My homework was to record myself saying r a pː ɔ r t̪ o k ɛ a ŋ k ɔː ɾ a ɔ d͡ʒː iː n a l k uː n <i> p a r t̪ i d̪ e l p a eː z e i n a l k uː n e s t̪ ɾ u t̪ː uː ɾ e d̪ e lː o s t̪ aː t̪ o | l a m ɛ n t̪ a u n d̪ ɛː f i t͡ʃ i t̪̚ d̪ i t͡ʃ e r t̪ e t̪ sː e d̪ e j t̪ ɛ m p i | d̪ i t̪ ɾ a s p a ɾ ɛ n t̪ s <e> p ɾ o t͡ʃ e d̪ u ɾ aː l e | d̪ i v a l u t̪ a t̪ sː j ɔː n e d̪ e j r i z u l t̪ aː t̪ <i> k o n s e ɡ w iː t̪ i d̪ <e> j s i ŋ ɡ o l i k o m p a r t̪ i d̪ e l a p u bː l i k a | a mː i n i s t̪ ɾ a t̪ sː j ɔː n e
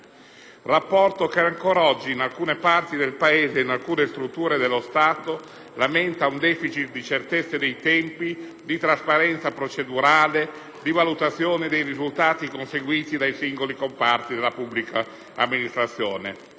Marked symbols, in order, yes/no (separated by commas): no, no, yes, no